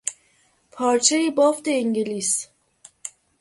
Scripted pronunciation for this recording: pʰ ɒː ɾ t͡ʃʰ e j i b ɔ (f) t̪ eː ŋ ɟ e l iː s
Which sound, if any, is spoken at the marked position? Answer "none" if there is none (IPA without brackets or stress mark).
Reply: f